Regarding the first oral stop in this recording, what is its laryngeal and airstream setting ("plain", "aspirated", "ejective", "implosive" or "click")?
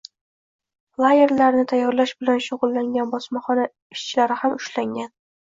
aspirated